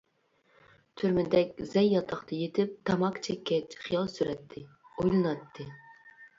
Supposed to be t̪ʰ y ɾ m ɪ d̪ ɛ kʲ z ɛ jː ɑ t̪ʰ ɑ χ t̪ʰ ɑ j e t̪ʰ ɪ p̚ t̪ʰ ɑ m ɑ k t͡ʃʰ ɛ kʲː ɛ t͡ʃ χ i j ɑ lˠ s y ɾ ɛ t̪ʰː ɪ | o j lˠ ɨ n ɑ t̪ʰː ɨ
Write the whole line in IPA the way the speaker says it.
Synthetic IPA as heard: t̪ʰ y ɾ m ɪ d̪ ɛ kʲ z ɛ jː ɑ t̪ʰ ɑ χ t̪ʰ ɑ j e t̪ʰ ɪ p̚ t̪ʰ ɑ m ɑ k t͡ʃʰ ɛ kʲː ɛ t͡ʃ χ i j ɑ lˠ s y ɾ ɛ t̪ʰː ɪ | o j lˠ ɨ n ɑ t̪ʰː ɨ

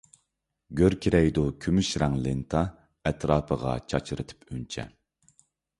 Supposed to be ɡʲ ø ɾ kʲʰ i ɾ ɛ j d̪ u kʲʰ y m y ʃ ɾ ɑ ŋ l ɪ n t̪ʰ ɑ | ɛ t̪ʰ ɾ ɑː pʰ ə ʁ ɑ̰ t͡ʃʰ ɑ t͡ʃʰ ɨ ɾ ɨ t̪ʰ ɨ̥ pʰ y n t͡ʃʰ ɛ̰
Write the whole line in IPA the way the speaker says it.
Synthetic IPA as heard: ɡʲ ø ɾ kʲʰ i ɾ ɛ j d̪ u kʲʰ y m y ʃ ɾ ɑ ŋ l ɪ n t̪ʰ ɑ | ɛ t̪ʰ ɾ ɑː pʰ ə ʁ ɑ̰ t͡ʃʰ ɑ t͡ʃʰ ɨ ɾ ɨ t̪ʰ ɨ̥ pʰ y n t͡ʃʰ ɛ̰

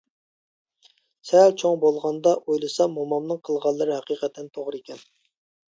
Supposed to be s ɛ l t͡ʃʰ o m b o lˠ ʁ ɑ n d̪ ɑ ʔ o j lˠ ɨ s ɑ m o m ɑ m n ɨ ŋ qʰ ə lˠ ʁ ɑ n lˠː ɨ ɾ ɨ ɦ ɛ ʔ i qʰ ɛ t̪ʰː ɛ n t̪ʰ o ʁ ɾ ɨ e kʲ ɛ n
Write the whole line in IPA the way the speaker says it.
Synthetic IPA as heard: s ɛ l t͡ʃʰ o ŋ b o lˠ ʁ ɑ n d̪ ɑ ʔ o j lˠ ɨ s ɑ m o m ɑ m n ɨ ŋ qʰ ə lˠ ʁ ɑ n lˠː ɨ ɾ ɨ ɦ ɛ q i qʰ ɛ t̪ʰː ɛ n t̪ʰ o ʁ ɾ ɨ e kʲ ɛ n

